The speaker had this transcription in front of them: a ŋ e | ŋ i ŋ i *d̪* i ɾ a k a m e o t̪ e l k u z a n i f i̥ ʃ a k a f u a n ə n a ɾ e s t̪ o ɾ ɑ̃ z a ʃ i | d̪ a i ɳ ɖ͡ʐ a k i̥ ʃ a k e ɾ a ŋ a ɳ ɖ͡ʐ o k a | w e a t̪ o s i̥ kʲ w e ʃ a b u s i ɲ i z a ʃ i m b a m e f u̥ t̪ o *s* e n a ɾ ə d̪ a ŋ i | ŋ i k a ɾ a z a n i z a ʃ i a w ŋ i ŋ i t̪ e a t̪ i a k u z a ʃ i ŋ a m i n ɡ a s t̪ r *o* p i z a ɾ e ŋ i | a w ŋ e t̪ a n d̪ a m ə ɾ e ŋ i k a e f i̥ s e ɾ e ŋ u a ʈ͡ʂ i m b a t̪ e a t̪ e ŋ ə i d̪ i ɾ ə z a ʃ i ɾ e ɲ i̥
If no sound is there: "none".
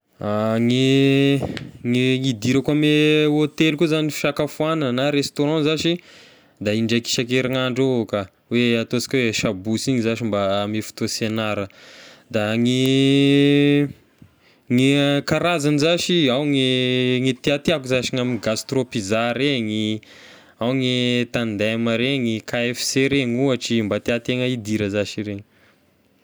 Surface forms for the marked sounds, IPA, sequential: d̪, s, o

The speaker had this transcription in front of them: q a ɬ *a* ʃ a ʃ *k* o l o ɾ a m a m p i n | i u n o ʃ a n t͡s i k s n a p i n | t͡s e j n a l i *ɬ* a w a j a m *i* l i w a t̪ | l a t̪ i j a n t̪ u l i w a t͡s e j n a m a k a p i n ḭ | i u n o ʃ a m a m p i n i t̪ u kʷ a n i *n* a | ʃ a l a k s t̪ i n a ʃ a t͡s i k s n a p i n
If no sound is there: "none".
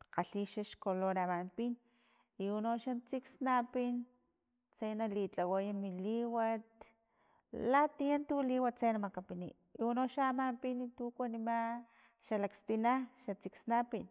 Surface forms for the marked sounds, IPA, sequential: i, k, t͡ɬ, i, m

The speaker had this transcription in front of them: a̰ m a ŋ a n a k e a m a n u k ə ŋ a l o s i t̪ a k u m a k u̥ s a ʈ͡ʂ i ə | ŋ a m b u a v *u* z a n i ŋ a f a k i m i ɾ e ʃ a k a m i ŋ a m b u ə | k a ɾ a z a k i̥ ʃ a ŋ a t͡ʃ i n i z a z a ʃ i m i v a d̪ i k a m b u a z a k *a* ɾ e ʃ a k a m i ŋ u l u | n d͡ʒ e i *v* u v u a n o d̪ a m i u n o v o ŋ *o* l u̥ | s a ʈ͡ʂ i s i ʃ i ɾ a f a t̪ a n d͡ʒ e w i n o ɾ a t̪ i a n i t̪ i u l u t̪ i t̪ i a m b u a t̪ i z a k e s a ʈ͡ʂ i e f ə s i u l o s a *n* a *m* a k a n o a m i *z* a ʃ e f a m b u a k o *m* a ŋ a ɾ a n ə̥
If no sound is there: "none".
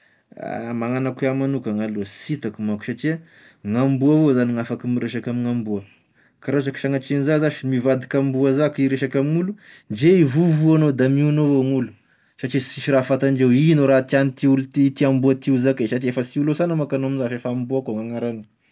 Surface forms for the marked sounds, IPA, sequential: o, i, v, u, n, m, z, ŋ

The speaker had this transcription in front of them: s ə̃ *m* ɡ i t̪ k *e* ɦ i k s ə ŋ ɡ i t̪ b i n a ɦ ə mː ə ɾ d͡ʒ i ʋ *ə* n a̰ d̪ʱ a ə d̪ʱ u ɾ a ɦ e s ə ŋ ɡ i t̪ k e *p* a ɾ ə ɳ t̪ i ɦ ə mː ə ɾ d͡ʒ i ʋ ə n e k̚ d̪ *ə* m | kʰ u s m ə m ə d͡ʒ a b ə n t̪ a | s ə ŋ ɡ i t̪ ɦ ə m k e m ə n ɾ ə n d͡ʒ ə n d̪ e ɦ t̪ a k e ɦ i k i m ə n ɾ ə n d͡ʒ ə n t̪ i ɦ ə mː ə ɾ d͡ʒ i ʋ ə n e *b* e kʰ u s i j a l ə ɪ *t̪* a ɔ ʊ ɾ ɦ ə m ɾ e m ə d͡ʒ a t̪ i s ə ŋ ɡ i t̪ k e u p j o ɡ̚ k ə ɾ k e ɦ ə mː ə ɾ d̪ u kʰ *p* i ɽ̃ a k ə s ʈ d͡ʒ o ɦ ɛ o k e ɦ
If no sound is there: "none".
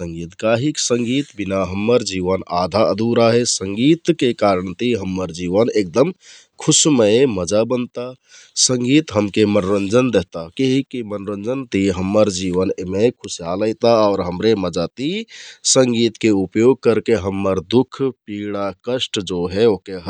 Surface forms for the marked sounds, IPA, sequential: ŋ, a, ə, k, ə, m, t̪, p

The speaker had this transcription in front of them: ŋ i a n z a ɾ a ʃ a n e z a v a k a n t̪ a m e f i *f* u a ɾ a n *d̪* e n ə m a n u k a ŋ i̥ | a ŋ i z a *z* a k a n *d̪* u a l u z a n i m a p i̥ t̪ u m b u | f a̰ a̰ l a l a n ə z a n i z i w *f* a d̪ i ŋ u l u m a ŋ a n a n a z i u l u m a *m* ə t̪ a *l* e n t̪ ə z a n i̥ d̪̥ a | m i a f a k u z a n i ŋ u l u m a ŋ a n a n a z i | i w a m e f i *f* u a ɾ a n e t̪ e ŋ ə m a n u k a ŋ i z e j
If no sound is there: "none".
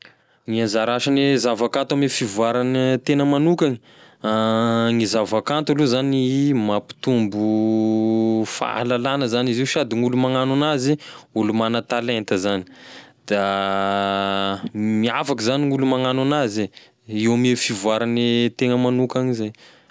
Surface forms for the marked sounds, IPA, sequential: v, t̪, v, t̪, ʃ, n, l, v

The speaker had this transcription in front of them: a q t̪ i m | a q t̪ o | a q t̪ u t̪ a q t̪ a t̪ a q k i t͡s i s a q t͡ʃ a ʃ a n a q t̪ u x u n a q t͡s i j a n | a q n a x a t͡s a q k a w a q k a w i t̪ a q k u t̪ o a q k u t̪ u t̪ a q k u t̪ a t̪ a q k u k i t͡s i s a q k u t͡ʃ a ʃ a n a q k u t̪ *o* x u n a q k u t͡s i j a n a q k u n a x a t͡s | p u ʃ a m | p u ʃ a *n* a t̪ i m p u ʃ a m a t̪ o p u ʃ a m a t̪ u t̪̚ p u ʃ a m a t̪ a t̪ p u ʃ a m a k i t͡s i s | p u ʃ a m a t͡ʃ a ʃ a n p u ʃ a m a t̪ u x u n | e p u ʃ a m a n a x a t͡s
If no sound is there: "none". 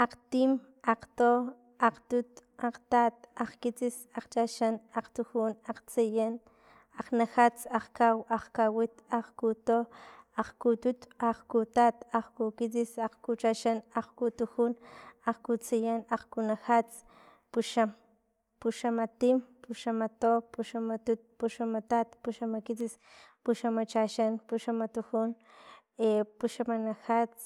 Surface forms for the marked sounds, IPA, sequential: u, m

